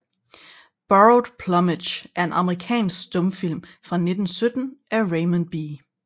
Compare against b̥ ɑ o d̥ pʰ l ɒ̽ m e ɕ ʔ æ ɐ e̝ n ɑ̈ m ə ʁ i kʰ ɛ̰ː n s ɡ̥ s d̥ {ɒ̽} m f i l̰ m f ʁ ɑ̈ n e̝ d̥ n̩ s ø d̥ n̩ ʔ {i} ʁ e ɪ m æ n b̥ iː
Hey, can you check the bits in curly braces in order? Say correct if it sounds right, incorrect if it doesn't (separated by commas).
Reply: incorrect, incorrect